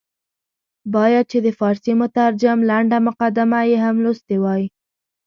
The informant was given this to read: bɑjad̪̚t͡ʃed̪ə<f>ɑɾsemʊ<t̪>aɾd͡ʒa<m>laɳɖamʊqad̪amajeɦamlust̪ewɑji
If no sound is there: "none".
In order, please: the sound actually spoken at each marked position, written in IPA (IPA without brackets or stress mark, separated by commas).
f, t̪, m